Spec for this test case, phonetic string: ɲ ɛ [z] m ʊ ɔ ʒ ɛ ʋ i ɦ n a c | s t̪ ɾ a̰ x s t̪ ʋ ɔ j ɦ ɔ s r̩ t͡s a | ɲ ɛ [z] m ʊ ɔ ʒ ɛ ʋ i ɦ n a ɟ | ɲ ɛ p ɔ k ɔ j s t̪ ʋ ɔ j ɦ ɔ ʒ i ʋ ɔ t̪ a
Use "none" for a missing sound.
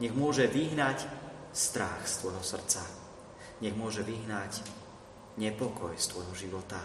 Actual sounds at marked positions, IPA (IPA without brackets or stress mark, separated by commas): ɣ, ɣ